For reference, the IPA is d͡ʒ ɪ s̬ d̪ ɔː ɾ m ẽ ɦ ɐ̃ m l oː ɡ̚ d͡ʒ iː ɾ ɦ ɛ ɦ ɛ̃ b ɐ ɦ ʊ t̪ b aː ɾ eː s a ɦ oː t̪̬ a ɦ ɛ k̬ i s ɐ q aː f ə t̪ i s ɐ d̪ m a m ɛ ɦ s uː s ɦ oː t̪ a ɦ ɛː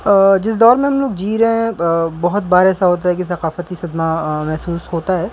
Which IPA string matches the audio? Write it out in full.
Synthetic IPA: d͡ʒ ɪ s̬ d̪ ɔː ɾ m ẽ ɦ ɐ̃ m l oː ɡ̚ d͡ʒ iː ɾ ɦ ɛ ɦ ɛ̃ b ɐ ɦ ʊ t̪ b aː ɾ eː s a ɦ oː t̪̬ a ɦ ɛ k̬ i s ɐ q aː f ə t̪ i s ɐ d̪ m a m ɛ ɦ s uː s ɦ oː t̪ a ɦ ɛː